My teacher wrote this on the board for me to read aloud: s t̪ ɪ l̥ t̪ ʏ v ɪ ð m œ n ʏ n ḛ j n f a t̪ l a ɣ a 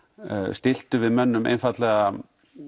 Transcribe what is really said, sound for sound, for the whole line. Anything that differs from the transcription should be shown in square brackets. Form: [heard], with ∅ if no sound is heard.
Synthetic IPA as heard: s t̪ ɪ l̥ t̪ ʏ v ɪ ð m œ [nː] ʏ [m] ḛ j n f a t̪ l [ɛ] ɣ a